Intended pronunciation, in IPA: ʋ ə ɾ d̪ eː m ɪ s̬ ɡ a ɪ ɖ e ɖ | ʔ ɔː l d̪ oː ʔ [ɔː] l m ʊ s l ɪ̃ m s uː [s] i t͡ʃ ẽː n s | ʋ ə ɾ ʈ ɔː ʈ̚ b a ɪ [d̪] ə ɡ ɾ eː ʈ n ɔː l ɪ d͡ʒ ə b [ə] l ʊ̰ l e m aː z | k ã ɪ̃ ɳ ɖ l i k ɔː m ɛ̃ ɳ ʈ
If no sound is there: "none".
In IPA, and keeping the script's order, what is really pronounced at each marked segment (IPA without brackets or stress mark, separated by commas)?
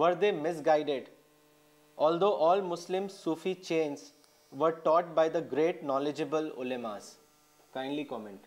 ɔː, f, d̪, ə